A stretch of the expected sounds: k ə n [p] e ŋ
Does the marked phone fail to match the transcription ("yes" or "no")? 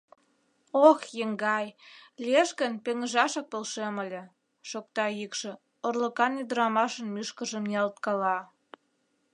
no